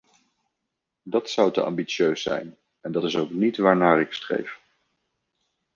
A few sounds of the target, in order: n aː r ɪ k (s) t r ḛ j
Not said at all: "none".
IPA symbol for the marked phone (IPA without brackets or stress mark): s